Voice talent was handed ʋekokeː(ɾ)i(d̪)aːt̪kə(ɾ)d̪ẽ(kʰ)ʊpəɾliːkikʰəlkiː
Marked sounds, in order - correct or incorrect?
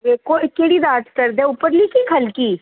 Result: incorrect: ɽ, correct, correct, incorrect: none

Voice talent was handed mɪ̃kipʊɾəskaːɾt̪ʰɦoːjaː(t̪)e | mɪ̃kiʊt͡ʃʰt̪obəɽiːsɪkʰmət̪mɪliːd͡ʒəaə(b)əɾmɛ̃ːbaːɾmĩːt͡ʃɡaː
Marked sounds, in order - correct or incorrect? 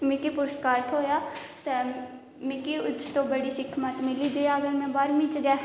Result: correct, incorrect: ɡ

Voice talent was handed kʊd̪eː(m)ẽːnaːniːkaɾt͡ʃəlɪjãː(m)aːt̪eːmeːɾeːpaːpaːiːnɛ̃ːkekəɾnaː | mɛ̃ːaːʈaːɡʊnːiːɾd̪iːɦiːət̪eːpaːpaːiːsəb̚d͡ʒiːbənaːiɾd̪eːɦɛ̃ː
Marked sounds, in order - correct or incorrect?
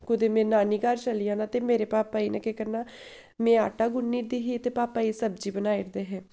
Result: correct, incorrect: n

